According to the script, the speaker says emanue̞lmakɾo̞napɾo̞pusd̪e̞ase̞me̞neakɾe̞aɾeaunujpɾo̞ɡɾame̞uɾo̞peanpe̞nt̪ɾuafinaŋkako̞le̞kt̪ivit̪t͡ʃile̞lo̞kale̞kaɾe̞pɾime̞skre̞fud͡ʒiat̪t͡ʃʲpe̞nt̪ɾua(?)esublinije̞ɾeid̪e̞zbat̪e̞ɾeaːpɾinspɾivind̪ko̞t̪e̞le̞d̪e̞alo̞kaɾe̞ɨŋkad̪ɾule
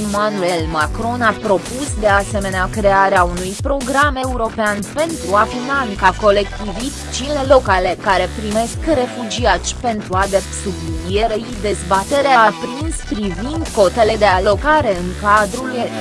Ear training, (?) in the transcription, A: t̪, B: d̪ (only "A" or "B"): B